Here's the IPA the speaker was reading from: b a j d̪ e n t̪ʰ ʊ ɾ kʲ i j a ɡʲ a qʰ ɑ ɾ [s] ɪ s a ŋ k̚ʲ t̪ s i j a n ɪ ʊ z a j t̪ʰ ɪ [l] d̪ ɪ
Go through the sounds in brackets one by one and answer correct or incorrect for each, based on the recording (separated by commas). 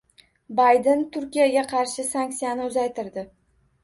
incorrect, incorrect